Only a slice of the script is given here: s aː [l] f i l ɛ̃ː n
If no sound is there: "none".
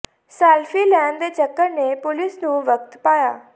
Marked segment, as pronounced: l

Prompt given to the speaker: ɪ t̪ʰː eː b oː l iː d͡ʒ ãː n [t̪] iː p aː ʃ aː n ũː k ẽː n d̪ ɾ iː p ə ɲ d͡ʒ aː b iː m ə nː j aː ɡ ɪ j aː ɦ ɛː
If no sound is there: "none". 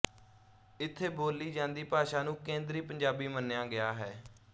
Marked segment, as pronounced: d̪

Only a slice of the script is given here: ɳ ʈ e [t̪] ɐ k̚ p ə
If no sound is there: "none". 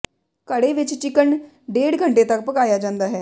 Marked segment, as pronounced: t̪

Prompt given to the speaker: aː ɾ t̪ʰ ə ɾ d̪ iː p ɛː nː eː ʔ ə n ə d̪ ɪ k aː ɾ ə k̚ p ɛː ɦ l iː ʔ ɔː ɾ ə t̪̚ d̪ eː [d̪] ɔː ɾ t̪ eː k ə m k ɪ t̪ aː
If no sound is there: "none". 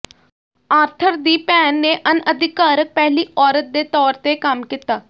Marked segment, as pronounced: t̪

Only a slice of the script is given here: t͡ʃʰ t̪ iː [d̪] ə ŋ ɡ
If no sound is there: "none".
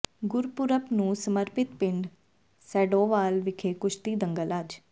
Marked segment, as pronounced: d̪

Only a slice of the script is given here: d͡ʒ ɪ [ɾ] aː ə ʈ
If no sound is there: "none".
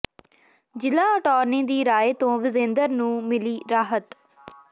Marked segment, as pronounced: l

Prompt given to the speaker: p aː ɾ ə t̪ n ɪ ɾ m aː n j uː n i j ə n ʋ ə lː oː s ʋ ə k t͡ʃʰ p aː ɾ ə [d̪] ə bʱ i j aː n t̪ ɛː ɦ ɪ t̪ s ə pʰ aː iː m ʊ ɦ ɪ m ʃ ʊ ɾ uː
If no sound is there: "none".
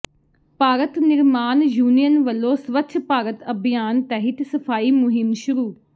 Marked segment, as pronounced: t̪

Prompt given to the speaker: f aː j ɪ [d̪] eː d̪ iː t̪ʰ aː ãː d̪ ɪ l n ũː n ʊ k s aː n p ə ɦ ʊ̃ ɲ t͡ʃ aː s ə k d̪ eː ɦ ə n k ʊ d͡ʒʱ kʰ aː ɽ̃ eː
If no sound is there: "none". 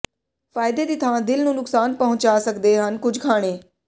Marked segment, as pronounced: d̪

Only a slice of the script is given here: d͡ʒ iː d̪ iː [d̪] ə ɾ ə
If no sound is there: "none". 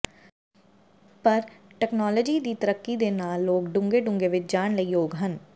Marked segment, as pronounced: t̪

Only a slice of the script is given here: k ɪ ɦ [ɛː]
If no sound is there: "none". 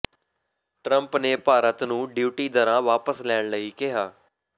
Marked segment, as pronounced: aː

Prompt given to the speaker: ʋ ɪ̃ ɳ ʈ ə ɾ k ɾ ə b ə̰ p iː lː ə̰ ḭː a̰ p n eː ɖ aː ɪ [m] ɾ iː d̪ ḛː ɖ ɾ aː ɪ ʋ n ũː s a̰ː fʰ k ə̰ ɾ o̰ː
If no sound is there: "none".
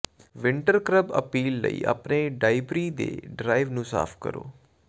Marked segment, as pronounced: b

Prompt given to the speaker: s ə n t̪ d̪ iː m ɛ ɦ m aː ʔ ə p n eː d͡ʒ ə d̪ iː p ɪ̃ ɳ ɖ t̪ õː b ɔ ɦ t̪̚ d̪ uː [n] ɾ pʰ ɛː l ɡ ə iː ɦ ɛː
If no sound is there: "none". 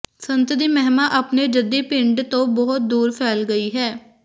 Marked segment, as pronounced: none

